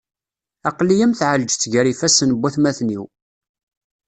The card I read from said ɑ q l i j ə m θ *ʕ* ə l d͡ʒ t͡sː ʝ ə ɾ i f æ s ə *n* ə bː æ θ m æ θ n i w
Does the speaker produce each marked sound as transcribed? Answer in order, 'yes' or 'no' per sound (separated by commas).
yes, yes